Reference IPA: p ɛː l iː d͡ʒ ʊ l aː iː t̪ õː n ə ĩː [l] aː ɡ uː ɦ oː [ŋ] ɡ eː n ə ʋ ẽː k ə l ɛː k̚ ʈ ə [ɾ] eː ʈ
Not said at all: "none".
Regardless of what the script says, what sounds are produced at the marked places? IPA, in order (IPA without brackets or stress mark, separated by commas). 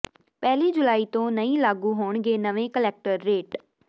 l, ɳ, ɾː